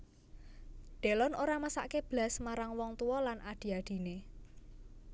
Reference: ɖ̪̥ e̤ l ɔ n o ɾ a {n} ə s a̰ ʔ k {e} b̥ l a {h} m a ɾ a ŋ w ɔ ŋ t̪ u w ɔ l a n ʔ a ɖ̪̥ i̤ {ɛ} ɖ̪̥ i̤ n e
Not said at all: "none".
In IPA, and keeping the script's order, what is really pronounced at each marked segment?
m, e, s, a

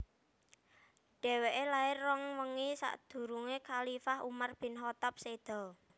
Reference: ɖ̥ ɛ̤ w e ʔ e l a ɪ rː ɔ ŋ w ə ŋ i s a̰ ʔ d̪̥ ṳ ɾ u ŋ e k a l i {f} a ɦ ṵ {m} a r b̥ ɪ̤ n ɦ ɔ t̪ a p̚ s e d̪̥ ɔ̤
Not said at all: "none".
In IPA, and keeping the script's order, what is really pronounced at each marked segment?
f, m

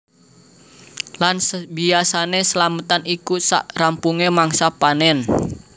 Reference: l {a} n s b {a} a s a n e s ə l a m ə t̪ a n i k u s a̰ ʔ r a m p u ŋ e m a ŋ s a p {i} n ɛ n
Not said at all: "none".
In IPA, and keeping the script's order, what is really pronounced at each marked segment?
a, i, a

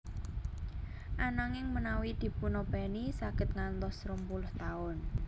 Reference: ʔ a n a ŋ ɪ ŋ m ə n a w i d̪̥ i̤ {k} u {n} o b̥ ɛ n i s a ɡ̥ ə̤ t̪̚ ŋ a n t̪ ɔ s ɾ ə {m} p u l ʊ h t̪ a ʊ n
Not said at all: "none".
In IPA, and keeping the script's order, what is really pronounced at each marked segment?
p, n, m

